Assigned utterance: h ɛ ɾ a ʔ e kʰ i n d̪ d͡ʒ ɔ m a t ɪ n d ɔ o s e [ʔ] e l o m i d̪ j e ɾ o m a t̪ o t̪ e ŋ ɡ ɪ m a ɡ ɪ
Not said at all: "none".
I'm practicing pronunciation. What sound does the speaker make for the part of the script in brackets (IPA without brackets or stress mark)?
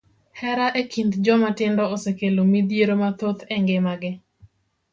k